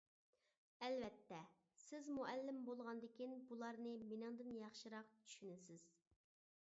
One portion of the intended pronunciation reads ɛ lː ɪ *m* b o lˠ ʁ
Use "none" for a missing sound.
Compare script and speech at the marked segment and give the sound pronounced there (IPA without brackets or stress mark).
m